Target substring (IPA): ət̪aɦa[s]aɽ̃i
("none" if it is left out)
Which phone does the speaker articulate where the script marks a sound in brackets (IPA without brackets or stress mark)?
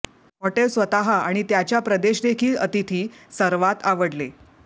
none